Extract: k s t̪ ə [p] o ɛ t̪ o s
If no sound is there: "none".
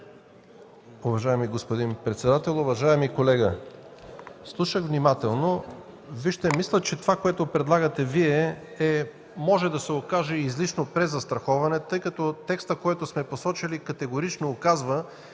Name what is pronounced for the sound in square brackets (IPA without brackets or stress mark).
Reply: k